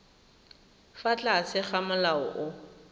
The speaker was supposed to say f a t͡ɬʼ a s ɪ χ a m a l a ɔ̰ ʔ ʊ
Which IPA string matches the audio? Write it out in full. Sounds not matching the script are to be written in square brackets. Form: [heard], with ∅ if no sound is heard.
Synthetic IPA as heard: f a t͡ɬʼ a s ɪ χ a m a l a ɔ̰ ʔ ʊ